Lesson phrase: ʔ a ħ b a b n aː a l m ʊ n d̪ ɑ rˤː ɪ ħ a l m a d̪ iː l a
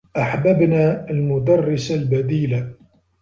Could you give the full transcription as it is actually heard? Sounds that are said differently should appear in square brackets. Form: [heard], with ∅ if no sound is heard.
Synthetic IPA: ʔ a ħ b a b n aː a l m ʊ [∅] d̪ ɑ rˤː ɪ [s] a l [b] a d̪ iː l a